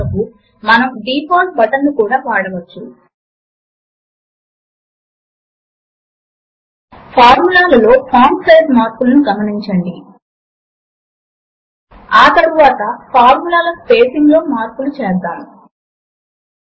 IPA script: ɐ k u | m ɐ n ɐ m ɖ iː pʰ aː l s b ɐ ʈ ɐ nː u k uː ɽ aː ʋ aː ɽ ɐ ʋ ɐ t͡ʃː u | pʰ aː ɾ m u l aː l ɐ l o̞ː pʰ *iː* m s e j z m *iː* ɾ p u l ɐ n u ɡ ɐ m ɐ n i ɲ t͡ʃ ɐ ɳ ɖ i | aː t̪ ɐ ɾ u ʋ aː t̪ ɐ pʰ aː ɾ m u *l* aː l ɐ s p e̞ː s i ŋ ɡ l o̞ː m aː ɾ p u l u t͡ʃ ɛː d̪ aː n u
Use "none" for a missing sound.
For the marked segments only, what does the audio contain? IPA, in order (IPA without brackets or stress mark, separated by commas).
aː, aː, l